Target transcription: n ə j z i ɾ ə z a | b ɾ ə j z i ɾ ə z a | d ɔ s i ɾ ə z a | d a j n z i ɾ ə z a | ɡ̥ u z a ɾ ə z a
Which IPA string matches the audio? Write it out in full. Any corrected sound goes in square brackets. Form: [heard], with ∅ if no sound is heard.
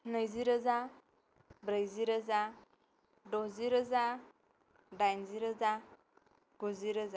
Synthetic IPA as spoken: n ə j z i ɾ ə z a | b ɾ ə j z i ɾ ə z a | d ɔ [z] i ɾ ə z a | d a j n z i ɾ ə z a | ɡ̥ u z [i] ɾ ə z a